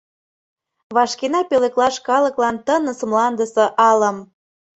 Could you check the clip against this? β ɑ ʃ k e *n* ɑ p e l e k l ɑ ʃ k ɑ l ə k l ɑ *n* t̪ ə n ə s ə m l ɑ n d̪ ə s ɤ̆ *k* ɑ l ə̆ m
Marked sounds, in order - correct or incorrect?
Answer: correct, correct, incorrect: ʔ

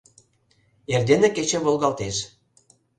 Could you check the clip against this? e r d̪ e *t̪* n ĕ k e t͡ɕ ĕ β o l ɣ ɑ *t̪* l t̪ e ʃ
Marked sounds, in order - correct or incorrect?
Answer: incorrect: none, incorrect: none

